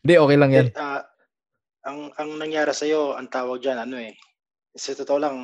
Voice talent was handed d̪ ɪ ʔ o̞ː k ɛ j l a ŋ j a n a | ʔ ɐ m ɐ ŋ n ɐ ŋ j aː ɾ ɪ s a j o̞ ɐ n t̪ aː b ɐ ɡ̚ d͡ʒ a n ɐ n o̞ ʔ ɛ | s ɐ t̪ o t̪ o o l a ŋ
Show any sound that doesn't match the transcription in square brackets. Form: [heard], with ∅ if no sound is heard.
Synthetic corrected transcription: d̪ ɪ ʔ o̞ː k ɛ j l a ŋ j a n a | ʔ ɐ [ŋ] ɐ ŋ n ɐ ŋ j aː ɾ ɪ s [ɐ] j o̞ ɐ [ŋ] t̪ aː [w] ɐ ɡ̚ d͡ʒ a n ɐ n o̞ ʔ ɛ | s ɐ t̪ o t̪ o o l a ŋ